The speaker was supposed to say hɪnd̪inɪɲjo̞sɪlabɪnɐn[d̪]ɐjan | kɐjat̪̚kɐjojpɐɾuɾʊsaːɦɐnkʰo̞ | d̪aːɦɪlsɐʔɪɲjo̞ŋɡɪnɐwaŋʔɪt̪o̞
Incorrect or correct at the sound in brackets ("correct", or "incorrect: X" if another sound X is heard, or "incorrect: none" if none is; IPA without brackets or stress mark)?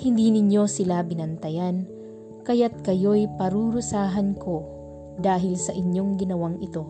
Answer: incorrect: t̪